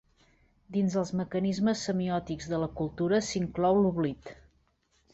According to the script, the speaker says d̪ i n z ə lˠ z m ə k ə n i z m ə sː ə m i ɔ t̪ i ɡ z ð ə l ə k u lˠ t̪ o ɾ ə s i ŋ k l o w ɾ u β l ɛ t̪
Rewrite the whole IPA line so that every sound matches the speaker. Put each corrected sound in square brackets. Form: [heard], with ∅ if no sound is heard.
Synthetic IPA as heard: d̪ i n z ə lˠ z m ə k ə n i z m ə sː ə m i ɔ t̪ i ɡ z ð ə l ə k u lˠ t̪ [u] ɾ ə s i ŋ k l [ɔ] w [l] u β l [i] t̪